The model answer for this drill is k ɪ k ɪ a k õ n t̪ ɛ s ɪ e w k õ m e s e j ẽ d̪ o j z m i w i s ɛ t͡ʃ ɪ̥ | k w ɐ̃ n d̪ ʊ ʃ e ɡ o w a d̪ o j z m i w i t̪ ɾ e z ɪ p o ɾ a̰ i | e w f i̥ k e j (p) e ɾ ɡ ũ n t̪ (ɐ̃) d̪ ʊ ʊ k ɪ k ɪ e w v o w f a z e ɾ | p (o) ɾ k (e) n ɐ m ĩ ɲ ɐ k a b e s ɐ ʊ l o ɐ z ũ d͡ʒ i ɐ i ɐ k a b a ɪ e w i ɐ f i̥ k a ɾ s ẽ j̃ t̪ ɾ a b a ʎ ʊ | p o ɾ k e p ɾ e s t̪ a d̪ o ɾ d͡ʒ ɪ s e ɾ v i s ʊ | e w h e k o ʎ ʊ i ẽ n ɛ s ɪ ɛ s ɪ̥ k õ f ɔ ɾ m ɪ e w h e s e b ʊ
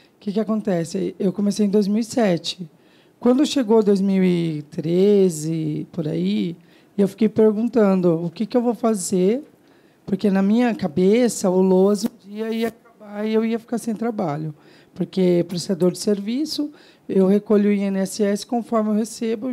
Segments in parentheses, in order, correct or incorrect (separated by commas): correct, correct, correct, correct